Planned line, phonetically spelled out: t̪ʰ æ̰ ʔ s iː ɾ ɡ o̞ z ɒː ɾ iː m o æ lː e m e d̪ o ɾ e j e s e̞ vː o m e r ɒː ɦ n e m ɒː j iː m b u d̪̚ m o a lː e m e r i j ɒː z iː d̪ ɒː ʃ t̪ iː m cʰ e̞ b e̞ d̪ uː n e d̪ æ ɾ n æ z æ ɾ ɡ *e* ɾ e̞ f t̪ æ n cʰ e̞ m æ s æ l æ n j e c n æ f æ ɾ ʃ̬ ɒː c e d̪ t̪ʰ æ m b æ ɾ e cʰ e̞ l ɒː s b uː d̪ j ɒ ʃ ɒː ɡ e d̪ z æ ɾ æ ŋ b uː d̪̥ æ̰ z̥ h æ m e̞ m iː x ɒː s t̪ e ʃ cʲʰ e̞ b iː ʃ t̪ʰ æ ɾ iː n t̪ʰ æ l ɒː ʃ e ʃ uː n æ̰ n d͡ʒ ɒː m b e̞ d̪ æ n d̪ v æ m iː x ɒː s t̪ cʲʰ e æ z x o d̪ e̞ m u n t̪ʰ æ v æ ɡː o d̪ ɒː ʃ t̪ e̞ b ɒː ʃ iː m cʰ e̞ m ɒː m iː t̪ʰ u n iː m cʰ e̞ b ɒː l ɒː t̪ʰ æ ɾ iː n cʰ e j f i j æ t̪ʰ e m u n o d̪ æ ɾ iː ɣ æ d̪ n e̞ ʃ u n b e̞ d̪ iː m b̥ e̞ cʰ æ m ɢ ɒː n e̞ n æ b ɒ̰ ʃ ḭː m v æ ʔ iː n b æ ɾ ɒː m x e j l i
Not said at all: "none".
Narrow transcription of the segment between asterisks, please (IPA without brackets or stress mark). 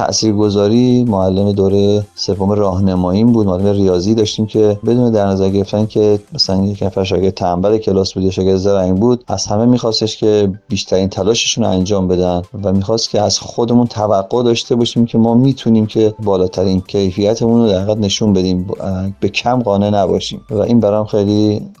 e